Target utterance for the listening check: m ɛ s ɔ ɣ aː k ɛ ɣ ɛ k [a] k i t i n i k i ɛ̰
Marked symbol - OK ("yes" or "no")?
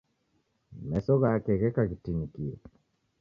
yes